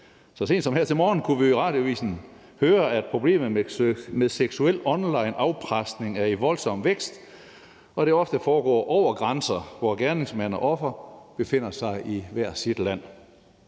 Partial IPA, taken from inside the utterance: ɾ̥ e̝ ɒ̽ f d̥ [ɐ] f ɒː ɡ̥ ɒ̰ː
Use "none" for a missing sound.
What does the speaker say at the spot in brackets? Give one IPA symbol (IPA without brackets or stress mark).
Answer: ə